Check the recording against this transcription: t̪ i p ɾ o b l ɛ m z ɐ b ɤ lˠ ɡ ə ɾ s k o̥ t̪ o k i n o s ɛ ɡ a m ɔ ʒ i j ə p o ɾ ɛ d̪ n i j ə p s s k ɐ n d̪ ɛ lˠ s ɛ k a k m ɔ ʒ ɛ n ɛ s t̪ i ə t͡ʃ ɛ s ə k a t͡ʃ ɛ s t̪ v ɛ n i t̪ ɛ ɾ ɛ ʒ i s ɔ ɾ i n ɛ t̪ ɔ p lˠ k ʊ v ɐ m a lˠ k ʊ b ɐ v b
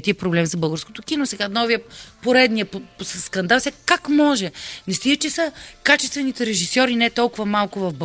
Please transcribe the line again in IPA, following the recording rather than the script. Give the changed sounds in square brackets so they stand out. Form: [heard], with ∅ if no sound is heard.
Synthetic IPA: t̪ i p ɾ o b l ɛ m z ɐ b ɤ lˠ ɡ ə ɾ s k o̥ t̪ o k i n o s ɛ ɡ a [n] ɔ [v] i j ə p o ɾ ɛ d̪ n i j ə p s s k ɐ n d̪ [a] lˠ s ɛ k a k m ɔ ʒ ɛ n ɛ s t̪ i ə t͡ʃ ɛ s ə k a t͡ʃ ɛ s t̪ v ɛ n i t̪ ɛ ɾ ɛ ʒ i s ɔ ɾ i n ɛ t̪ ɔ [∅] lˠ k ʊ v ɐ m a lˠ k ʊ [v] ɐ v b